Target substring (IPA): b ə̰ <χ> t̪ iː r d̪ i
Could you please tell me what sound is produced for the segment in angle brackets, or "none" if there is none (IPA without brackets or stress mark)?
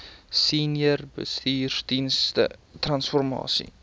s